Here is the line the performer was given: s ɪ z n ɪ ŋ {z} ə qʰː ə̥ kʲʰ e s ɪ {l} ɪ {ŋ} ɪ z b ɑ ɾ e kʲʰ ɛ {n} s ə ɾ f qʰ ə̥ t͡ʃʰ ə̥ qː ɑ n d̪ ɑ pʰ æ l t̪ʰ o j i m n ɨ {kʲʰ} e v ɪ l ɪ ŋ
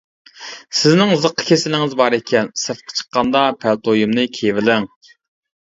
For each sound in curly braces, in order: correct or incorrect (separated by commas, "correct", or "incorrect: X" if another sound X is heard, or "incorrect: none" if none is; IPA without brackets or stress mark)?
correct, correct, correct, correct, correct